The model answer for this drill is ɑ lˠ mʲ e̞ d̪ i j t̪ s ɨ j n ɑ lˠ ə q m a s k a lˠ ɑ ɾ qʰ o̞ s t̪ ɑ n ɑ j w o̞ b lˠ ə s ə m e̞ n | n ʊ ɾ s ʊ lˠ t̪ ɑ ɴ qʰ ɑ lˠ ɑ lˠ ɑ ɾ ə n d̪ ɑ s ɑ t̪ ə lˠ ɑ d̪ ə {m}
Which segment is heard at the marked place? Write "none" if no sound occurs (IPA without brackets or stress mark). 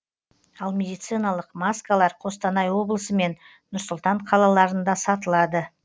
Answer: none